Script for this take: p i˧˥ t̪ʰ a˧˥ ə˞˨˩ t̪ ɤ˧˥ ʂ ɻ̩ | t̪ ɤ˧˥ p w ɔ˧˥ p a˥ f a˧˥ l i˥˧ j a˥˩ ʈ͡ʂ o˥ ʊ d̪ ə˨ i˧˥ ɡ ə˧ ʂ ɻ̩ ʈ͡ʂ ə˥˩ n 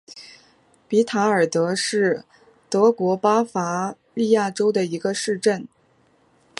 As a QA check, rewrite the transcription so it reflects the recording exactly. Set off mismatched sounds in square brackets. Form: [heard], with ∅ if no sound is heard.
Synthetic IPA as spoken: p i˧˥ t̪ʰ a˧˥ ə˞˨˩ t̪ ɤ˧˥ ʂ ɻ̩ | t̪ ɤ˧˥ [k] w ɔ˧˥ p a˥ f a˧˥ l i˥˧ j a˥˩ ʈ͡ʂ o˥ ʊ d̪ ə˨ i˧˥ ɡ ə˧ ʂ ɻ̩ ʈ͡ʂ ə˥˩ n